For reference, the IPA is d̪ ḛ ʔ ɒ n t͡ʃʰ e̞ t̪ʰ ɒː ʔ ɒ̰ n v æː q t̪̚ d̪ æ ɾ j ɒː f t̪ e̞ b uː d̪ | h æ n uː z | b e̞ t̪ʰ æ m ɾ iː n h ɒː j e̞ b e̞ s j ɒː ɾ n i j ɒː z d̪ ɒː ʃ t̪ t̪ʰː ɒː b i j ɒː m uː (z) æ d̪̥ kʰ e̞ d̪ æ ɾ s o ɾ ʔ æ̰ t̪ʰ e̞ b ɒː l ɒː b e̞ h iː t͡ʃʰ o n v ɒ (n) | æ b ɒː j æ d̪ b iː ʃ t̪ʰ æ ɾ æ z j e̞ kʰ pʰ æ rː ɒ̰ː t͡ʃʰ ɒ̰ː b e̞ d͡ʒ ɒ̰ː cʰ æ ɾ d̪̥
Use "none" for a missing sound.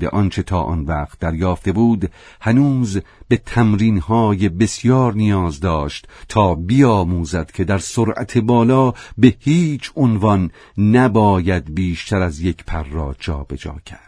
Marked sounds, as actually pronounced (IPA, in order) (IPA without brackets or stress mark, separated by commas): z, nː